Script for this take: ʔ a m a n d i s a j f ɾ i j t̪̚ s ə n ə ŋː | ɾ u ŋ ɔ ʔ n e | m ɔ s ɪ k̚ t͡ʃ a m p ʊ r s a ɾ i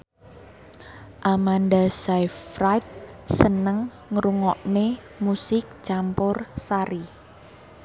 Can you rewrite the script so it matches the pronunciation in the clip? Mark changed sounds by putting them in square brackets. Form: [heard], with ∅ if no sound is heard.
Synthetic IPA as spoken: ʔ a m a n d [a] s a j f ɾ [a] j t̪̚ s ə n ə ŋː | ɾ u ŋ ɔ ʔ n e | m [u] s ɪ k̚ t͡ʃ a m p ʊ r s a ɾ i